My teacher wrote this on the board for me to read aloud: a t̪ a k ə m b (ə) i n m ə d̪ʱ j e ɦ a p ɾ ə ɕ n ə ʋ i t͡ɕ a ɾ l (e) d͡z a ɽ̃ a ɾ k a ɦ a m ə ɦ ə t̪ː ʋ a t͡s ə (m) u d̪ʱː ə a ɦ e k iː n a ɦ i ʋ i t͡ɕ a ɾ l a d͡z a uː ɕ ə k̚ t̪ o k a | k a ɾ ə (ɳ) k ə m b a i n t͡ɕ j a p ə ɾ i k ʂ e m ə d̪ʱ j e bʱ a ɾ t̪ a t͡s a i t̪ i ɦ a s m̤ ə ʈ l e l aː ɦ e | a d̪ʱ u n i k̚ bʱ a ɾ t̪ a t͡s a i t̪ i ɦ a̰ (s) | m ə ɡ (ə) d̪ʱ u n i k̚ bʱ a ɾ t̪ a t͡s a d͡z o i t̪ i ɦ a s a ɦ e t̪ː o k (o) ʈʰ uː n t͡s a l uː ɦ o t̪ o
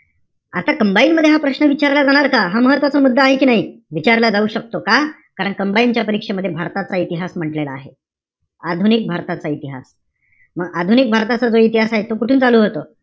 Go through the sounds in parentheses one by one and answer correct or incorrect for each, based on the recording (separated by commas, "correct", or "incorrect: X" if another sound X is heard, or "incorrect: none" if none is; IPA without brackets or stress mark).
incorrect: a, incorrect: a, correct, correct, correct, incorrect: a, incorrect: u